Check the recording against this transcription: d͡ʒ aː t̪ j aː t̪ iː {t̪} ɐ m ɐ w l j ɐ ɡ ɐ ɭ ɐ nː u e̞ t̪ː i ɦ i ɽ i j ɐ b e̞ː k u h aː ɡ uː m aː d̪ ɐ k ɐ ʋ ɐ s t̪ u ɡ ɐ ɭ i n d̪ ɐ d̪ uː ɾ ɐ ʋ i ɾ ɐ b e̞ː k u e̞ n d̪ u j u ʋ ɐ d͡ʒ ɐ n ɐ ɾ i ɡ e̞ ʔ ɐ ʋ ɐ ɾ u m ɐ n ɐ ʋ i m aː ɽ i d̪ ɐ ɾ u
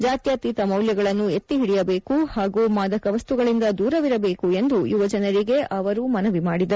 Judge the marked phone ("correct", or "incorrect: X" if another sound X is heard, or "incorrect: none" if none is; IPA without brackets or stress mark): correct